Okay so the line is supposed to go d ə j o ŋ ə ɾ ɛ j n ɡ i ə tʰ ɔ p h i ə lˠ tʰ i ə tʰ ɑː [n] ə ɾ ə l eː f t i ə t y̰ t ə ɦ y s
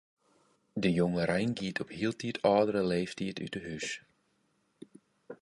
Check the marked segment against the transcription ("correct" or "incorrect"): incorrect